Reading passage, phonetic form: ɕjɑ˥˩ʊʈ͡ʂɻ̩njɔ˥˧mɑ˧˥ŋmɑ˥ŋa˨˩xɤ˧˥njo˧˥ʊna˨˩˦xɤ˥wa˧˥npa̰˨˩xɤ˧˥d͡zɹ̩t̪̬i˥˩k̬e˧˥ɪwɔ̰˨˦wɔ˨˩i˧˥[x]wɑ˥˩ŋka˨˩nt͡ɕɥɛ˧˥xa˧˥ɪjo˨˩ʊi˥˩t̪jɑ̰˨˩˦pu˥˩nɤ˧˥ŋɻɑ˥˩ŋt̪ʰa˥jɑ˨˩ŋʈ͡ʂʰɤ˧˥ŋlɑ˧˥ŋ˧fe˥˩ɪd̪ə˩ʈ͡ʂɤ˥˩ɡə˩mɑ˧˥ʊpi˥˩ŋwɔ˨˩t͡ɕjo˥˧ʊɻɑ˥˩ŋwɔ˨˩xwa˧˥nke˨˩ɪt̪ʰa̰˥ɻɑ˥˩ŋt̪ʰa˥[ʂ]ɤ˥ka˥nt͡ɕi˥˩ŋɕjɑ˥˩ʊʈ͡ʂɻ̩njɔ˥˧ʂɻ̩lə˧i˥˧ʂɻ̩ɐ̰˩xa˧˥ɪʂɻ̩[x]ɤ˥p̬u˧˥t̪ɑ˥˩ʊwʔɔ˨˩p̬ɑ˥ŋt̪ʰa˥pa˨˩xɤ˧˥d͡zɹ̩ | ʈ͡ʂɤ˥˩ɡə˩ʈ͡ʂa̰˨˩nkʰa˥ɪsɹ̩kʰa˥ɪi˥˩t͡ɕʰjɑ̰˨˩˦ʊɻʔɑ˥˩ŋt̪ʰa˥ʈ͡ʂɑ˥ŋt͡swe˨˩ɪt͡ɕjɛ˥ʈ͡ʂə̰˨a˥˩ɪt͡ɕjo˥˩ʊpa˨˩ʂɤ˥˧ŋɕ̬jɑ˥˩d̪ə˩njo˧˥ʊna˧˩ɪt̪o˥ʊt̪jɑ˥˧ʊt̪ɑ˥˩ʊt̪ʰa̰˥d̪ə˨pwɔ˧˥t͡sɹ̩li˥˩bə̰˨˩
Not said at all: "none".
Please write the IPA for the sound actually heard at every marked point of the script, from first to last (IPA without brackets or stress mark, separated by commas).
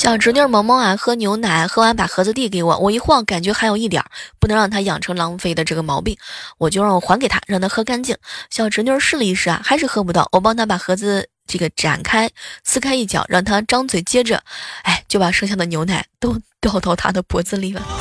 x, x, x